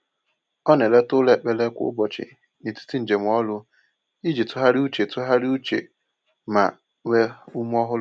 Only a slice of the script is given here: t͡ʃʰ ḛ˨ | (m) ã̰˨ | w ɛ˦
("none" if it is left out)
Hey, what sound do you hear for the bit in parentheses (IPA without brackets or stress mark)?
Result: m